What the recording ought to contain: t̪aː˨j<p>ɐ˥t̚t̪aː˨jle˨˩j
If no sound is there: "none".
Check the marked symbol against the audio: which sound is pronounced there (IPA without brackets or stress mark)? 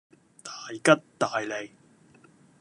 k